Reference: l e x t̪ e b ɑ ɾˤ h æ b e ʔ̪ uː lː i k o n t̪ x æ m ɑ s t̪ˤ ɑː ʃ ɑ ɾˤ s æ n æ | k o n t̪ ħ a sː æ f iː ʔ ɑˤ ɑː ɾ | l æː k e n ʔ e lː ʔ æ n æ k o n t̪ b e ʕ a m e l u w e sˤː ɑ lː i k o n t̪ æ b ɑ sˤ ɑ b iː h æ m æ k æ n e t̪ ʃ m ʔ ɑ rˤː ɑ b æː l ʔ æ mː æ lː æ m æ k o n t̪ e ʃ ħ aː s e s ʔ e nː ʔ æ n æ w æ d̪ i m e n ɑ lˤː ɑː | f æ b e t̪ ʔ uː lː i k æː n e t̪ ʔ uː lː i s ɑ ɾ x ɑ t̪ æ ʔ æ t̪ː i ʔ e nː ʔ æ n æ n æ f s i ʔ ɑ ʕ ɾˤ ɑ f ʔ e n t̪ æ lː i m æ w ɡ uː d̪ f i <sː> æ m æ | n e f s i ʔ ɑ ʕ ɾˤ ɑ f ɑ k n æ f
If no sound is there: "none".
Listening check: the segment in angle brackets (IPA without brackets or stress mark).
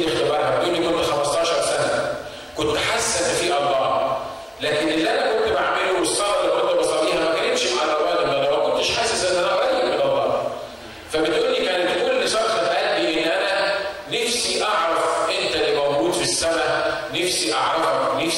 sː